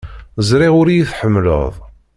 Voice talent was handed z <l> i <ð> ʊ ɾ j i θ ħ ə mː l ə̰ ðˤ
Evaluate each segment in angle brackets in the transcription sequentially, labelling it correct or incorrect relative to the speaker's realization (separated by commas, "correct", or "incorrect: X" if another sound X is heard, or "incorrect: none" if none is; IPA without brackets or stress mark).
incorrect: ɾ, incorrect: ʁ